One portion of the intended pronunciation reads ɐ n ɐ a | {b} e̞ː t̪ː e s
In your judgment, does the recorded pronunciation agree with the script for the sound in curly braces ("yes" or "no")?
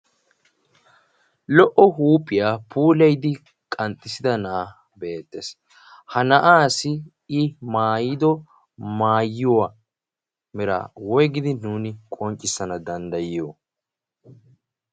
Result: yes